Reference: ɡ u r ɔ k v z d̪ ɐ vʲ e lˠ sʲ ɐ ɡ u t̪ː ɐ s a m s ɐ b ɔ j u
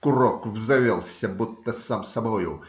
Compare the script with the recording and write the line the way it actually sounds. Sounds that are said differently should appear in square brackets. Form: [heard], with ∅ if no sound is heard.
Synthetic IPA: [k] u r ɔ k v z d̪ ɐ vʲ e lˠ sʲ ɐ [b] u t̪ː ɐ s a m s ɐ b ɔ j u